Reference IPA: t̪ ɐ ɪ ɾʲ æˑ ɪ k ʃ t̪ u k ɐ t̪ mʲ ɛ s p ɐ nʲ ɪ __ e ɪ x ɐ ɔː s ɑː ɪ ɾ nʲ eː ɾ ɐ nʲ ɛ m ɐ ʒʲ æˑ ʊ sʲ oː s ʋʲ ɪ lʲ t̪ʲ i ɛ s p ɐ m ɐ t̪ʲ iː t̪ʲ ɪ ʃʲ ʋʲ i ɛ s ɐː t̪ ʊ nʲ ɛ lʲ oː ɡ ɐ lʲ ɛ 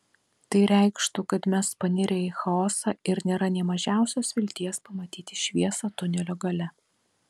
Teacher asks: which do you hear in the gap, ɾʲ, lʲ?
ɾʲ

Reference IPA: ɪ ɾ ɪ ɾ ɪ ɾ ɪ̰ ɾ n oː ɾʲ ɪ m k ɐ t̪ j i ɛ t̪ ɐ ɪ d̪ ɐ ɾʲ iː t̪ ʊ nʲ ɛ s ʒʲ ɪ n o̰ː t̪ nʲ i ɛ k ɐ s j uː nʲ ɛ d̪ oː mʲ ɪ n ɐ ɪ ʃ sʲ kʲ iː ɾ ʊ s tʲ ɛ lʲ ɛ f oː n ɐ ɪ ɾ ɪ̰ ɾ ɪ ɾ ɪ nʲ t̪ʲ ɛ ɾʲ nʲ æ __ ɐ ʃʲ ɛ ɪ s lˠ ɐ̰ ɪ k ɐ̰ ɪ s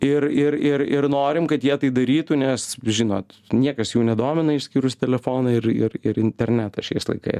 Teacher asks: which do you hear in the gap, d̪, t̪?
t̪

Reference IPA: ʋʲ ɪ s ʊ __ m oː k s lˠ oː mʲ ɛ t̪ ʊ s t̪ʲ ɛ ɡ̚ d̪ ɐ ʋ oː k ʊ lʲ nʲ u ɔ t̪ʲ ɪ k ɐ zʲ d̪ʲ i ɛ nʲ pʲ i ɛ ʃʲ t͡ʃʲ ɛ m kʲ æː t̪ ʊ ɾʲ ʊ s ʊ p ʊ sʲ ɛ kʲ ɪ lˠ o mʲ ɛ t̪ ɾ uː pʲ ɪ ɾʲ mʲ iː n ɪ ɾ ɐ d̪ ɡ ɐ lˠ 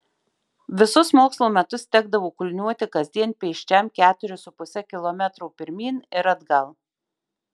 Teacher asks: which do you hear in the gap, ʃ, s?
s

